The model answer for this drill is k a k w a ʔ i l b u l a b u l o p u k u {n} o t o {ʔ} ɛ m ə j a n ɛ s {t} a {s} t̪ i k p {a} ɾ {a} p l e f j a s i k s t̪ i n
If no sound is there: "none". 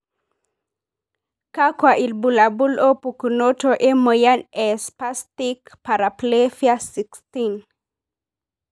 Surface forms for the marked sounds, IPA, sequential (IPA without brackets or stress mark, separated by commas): n, ʔ, p, s, a, a